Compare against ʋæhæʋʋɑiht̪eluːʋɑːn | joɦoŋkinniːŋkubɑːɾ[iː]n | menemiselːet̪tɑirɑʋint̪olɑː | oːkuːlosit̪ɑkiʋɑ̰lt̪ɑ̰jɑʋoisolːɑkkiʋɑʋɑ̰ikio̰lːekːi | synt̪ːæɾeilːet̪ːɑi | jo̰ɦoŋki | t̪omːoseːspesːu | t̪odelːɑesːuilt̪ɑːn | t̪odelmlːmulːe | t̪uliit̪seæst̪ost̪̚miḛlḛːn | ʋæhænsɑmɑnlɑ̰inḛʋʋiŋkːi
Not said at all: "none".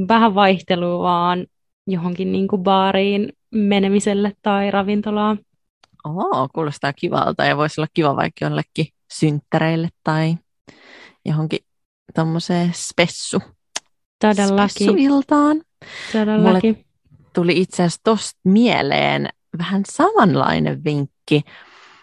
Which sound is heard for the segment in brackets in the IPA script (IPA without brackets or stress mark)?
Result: iː